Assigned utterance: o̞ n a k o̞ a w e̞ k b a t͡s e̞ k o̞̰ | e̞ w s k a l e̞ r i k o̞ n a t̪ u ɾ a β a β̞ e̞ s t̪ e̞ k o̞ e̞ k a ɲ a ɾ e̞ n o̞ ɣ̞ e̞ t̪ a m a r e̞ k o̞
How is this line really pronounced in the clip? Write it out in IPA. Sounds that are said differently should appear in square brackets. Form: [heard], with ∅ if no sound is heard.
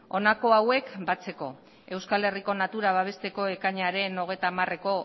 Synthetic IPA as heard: o̞ n a k o̞ a w e̞ k b a t͡s e̞ k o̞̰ | e̞ w s k a l e̞ r i k o̞ n a t̪ u ɾ a β a β̞ e̞ s t̪ e̞ k o̞ e̞ k a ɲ a ɾ e̞ n o̞ ɣ̞ e̞ t̪ a m a r e̞ k o̞